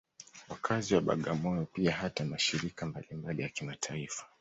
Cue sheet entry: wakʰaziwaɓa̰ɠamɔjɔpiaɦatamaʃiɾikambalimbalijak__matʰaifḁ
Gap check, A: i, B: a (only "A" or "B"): A